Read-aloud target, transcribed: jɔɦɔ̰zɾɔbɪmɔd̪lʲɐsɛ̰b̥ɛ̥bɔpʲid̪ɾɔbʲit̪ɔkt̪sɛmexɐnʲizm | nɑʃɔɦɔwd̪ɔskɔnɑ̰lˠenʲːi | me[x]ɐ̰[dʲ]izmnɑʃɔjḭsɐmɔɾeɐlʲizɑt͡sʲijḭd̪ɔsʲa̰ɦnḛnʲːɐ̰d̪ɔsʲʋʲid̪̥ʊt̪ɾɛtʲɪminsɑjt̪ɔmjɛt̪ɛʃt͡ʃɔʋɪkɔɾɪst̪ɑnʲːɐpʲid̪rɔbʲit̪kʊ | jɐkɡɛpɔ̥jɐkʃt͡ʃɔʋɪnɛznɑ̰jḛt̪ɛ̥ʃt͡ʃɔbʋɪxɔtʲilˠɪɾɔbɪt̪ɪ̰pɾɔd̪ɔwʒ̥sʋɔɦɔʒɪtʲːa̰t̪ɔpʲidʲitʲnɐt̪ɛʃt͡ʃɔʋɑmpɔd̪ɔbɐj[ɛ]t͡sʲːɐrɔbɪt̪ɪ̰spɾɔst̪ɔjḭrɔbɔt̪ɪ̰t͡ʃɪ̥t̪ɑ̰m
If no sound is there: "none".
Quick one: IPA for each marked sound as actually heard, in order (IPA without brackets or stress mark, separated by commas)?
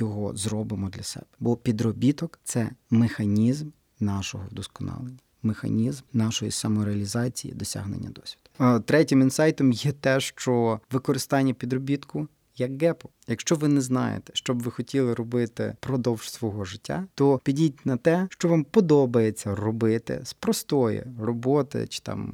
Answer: x, nʲ, e